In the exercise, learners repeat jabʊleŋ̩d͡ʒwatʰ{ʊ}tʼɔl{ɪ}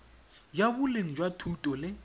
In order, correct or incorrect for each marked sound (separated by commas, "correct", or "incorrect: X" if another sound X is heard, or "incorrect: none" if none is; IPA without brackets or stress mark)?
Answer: incorrect: u, correct